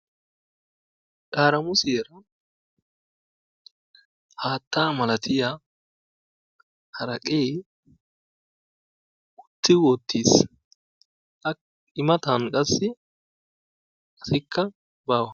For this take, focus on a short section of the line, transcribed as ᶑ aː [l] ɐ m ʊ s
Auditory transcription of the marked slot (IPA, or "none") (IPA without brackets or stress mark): ɾ